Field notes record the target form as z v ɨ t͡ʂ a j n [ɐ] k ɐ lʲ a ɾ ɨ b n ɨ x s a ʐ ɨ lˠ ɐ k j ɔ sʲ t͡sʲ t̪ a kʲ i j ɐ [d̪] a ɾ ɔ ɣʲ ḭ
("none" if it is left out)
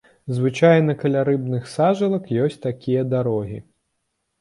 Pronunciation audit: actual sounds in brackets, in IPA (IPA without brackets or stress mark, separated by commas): ɐ, d̪